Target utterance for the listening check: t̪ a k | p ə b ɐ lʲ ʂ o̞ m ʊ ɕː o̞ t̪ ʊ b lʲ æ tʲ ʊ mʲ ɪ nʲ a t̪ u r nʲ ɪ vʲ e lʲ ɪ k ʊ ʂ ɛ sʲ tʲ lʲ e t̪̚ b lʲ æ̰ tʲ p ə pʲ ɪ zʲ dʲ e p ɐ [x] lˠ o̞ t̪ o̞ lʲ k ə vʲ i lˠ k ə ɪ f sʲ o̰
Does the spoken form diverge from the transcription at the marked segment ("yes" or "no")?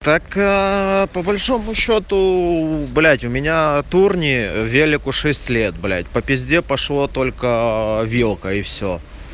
yes